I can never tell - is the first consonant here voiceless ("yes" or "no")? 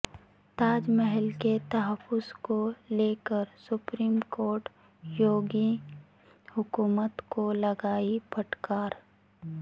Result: yes